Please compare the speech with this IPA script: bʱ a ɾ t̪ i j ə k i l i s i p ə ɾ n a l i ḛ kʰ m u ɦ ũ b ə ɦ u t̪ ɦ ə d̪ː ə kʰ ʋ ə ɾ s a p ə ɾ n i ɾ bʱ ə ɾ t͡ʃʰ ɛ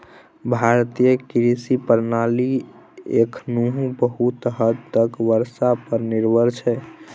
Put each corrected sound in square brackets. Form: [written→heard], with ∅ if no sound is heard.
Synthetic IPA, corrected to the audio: bʱ a ɾ t̪ i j ə k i [l→ɾ] i s i p ə ɾ n a l i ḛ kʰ [m→n] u ɦ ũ b ə ɦ u t̪ ɦ ə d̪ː ə [kʰ→k] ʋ ə ɾ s a p ə ɾ n i ɾ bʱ ə ɾ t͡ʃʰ ɛ